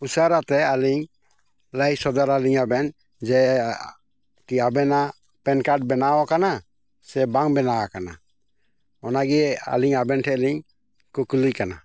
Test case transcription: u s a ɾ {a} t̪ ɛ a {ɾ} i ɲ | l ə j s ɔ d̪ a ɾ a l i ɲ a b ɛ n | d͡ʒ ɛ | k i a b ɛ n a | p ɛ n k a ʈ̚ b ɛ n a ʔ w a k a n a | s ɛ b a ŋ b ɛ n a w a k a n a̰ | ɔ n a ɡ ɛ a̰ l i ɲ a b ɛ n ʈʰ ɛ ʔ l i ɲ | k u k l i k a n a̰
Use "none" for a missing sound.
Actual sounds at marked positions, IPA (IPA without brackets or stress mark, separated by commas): a, l